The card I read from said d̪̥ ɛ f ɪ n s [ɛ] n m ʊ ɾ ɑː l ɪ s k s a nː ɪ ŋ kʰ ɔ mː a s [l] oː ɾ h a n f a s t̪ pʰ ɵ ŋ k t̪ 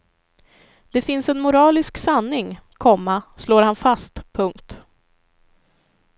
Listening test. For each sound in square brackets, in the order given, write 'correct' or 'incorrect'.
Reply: correct, correct

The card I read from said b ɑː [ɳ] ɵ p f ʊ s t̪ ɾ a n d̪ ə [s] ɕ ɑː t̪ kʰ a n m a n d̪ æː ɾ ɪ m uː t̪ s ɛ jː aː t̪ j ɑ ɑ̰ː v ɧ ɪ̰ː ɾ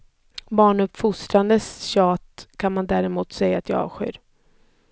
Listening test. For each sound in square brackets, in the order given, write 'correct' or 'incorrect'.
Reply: correct, correct

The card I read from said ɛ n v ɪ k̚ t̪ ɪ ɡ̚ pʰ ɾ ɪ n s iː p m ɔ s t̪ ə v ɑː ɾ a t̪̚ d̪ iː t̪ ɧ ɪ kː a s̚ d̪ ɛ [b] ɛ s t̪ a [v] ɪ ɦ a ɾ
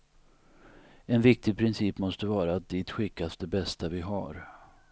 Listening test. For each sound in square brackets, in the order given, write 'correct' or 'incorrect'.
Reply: correct, correct

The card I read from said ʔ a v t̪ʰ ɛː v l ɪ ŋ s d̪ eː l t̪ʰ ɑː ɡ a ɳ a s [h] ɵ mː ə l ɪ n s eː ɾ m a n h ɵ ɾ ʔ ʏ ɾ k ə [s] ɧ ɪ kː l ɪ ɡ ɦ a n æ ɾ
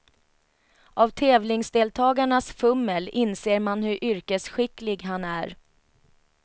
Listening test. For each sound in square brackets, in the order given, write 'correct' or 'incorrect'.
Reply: incorrect: f, correct

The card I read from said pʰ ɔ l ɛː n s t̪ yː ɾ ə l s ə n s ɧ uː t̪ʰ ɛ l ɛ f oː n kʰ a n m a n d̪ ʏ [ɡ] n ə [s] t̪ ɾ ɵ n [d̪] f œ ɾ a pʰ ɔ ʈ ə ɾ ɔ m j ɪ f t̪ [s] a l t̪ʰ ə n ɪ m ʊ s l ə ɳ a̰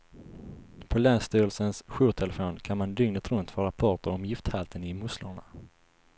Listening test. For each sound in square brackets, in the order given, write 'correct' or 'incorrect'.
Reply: incorrect: ŋ, incorrect: none, incorrect: t̪, incorrect: h

